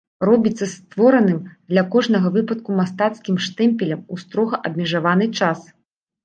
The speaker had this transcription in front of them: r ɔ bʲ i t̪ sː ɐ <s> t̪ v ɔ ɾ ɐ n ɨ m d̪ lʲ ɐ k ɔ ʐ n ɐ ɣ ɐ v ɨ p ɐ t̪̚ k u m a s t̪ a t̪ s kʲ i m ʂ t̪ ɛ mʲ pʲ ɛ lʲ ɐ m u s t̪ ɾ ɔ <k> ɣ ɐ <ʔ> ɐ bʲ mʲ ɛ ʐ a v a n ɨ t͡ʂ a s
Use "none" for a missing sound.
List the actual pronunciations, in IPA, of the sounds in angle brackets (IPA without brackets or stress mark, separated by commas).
s, none, ʔ